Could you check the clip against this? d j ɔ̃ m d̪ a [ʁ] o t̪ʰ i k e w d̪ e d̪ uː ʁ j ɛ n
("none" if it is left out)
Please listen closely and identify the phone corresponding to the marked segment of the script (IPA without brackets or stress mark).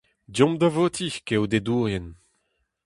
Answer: v